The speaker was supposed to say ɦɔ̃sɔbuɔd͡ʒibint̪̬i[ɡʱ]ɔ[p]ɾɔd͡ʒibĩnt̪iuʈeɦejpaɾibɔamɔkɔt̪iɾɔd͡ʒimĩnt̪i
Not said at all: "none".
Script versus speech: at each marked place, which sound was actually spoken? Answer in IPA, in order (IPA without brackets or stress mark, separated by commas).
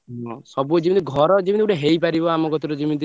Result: ɡʱ, none